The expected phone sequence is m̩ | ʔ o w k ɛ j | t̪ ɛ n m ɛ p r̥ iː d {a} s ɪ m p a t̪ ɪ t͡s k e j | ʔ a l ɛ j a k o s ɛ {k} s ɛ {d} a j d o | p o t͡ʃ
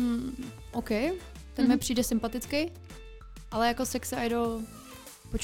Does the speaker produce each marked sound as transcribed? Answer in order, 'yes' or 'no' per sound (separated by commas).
no, yes, no